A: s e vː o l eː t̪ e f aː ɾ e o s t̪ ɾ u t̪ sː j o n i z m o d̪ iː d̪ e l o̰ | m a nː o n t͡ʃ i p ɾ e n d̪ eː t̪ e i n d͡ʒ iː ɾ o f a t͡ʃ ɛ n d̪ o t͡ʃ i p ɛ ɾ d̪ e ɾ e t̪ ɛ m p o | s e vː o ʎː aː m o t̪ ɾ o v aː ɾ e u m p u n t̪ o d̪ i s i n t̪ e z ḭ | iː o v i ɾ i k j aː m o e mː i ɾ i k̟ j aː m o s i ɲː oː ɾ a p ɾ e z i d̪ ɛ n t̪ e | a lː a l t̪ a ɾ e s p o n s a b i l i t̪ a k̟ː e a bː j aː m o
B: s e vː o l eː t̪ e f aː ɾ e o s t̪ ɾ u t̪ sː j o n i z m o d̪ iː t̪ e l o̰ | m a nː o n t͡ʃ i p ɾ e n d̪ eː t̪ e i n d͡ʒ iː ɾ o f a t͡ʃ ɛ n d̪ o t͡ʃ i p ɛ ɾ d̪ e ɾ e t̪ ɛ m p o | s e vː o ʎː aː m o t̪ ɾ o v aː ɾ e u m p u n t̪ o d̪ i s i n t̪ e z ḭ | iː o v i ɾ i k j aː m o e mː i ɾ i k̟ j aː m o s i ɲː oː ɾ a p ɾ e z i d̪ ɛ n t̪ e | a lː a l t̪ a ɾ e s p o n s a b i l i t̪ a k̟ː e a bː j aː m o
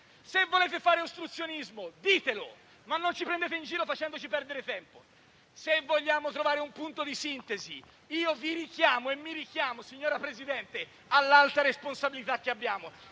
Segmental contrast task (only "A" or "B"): B